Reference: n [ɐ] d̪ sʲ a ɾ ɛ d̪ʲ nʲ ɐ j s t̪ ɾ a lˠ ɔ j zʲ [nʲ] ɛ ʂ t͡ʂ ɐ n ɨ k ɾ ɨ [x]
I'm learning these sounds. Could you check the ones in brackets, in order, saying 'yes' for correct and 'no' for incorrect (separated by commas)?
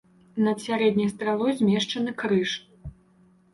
yes, no, no